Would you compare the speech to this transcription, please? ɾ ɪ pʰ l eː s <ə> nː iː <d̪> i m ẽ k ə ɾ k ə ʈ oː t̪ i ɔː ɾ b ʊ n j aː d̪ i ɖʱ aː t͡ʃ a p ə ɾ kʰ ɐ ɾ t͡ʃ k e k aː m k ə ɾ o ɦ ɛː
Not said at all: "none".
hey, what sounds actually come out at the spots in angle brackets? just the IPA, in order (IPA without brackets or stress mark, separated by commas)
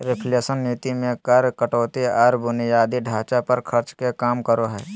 ə, t̪